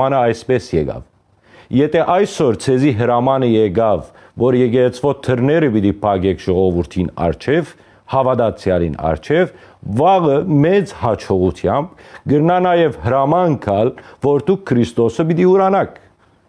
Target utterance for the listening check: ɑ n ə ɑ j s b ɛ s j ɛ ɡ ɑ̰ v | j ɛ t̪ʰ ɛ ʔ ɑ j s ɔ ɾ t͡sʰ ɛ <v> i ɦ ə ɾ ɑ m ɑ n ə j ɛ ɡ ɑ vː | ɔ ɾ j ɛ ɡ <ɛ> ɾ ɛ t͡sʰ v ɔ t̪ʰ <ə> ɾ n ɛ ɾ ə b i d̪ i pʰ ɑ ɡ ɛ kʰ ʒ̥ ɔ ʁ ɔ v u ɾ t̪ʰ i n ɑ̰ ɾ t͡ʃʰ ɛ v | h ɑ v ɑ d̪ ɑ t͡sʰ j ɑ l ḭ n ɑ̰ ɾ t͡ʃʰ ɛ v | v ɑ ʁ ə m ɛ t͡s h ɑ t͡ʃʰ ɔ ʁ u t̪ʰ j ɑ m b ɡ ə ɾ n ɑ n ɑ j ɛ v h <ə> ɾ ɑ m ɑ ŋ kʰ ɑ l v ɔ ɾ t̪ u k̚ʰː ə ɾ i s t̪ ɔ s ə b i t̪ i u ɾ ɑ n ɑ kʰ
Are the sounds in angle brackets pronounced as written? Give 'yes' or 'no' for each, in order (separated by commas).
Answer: no, yes, yes, yes